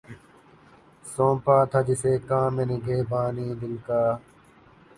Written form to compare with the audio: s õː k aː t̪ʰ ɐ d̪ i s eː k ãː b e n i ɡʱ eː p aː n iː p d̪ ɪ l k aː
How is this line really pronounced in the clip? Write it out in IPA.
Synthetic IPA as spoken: s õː p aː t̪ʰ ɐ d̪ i s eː k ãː m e n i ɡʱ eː b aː n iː d̪ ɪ l k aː